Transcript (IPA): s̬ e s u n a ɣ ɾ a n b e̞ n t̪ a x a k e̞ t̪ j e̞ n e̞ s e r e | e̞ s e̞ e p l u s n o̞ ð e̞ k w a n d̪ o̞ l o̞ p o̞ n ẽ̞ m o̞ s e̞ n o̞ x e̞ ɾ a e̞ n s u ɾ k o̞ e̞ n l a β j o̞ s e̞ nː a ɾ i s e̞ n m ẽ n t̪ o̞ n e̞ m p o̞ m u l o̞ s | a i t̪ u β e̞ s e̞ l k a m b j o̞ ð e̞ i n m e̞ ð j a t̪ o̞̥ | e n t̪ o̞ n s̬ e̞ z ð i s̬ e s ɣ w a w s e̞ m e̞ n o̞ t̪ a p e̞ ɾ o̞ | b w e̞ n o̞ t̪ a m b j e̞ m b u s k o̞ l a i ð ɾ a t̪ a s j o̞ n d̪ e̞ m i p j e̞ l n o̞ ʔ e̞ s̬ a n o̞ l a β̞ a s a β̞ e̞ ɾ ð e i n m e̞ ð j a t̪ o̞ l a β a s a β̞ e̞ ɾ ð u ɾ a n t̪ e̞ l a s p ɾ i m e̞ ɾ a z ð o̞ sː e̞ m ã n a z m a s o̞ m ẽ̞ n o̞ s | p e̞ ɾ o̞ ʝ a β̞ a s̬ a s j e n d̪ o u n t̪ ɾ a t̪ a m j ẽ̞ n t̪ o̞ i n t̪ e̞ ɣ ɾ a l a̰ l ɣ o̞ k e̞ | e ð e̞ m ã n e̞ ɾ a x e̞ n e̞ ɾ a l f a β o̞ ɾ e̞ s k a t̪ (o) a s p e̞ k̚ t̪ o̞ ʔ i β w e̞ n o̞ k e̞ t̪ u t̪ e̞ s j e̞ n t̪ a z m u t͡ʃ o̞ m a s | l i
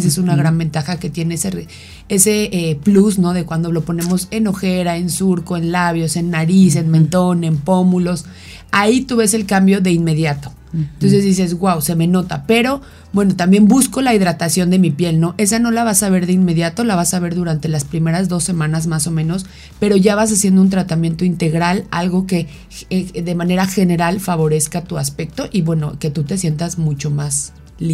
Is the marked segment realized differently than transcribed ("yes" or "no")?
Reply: yes